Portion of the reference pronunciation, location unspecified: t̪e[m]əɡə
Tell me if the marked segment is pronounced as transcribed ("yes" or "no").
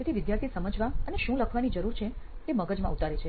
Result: yes